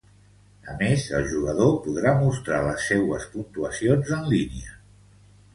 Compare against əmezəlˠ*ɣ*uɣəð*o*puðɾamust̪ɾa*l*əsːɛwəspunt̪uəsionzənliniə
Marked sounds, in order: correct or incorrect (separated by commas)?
incorrect, correct, correct